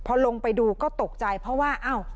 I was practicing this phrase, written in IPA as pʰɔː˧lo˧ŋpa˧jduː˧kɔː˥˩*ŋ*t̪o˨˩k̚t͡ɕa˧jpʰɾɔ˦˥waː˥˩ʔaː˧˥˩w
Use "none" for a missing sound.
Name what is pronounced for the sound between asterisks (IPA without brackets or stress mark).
none